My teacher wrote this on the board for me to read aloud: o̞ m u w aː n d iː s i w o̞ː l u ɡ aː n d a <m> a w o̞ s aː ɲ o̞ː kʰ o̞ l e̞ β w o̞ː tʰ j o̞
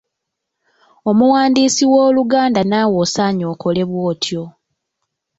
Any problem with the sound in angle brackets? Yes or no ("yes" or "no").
yes